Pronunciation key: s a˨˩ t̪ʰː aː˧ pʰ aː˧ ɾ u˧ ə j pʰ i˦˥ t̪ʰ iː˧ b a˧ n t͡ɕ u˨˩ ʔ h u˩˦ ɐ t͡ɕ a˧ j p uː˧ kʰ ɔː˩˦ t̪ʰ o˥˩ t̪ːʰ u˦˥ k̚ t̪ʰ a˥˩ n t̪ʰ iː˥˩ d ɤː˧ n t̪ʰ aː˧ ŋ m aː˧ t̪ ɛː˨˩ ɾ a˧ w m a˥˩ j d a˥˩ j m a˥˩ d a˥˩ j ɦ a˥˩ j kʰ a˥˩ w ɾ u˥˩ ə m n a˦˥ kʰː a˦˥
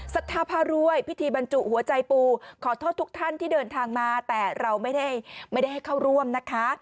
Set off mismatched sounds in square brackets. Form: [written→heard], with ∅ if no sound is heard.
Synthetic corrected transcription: s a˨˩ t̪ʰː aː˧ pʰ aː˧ ɾ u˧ ə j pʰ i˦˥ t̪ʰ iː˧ b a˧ n t͡ɕ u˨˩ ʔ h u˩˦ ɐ t͡ɕ a˧ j p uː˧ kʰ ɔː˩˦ t̪ʰ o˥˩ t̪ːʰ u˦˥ k̚ t̪ʰ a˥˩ n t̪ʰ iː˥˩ d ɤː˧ n t̪ʰ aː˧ ŋ m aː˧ t̪ ɛː˨˩ ɾ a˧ w m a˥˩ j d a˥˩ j m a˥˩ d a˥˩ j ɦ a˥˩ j kʰ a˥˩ w ɾ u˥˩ ə m n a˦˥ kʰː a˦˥